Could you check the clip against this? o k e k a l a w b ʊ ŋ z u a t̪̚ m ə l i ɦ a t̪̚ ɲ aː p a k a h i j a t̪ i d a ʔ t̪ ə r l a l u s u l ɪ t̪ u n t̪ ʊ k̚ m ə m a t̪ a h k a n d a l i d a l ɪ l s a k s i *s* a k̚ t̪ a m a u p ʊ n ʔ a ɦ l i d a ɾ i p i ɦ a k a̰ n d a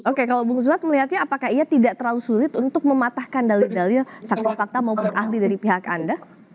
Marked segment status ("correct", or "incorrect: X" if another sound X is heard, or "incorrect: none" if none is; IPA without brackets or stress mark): incorrect: f